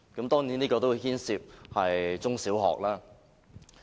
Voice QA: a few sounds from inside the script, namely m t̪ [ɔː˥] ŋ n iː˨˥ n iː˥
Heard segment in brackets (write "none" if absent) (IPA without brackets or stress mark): ɔː˥